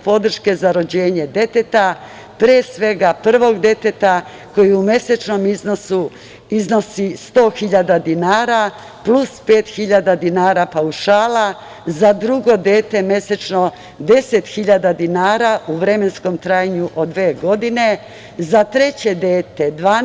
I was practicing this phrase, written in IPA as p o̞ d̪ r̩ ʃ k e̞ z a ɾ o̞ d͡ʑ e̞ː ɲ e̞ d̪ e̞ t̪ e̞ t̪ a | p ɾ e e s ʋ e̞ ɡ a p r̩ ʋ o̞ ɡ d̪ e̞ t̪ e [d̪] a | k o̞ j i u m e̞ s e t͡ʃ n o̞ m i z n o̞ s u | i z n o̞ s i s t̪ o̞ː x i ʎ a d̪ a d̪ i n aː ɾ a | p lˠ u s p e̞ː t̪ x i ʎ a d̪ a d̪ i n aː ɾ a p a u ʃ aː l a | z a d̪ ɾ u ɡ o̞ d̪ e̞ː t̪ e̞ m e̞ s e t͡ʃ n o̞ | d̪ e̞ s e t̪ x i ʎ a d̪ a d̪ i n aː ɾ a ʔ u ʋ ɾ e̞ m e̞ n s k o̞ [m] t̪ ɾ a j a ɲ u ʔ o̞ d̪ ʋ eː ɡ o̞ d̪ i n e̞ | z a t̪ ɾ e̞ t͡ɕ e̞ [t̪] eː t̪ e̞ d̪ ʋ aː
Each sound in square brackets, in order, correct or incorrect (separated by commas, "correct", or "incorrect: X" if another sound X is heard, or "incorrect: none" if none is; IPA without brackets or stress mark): incorrect: t̪, correct, incorrect: d̪